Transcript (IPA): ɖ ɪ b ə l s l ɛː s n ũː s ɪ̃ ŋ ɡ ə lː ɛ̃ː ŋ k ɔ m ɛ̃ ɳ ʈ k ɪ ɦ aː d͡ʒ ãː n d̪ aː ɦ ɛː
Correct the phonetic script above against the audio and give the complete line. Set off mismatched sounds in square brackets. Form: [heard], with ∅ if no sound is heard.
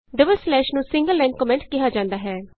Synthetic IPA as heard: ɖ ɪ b ə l s l ɛː [ʃ] n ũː s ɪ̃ ŋ ɡ ə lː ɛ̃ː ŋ k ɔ m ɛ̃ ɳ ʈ k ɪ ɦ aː d͡ʒ ãː n d̪ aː ɦ ɛː